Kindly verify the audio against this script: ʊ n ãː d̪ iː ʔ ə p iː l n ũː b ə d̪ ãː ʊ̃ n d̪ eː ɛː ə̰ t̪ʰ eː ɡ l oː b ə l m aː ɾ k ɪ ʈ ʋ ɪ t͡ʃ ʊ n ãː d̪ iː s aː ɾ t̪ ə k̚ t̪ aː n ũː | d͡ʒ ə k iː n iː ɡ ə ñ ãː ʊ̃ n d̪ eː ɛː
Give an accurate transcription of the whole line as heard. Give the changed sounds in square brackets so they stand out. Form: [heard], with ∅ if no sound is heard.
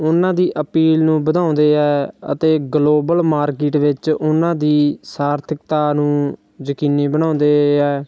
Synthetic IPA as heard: ʊ n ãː d̪ iː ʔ ə p iː l n ũː b ə d̪ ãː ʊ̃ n d̪ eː ɛː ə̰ [t̪] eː ɡ l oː b ə l m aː ɾ k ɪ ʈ ʋ ɪ t͡ʃ ʊ n ãː d̪ iː s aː ɾ [t̪ʰ] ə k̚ t̪ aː n ũː | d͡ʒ ə k iː n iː [b] ə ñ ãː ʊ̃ n d̪ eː ɛː